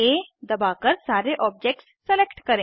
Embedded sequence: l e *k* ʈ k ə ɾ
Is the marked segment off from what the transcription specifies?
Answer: no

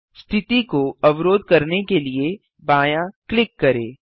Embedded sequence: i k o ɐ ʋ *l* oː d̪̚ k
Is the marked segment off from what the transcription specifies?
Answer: yes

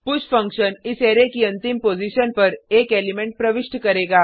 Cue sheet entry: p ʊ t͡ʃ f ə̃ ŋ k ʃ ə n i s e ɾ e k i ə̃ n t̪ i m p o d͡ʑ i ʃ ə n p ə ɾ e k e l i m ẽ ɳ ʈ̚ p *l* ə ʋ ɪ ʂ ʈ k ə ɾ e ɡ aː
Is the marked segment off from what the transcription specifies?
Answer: yes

